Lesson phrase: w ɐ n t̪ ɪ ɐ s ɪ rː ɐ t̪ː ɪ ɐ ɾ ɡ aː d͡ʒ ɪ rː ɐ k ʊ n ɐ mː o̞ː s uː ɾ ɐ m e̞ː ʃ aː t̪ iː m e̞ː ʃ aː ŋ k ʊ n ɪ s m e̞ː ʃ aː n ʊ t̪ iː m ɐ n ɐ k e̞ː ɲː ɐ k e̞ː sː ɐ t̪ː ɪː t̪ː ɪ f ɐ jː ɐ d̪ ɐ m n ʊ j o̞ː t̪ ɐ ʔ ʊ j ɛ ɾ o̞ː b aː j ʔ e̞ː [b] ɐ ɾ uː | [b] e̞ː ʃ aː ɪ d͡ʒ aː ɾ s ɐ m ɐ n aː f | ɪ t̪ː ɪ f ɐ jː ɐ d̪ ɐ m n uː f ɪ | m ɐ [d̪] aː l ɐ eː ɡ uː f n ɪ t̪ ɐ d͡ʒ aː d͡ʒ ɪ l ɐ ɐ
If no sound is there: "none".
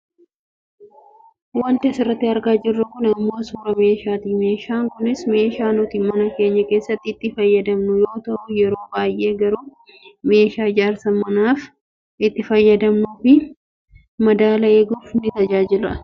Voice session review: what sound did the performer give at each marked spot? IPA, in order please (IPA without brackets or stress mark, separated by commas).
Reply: ɡ, m, d̪